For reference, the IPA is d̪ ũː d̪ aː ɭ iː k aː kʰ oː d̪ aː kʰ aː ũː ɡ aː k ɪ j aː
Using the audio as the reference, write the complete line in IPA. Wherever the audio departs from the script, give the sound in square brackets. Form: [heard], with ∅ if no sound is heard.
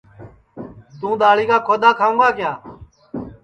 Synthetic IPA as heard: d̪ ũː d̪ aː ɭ iː k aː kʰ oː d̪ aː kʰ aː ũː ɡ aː k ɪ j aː